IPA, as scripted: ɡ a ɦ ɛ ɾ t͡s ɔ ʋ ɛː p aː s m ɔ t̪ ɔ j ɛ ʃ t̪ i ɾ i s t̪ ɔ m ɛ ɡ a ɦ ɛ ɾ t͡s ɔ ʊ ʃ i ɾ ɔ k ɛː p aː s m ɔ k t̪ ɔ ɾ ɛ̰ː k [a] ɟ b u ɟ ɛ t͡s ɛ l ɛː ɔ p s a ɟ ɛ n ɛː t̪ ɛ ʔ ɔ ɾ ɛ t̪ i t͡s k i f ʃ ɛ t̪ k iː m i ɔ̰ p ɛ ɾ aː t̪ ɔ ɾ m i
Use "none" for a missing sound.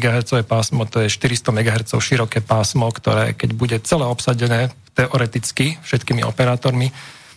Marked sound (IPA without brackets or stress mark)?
ɛ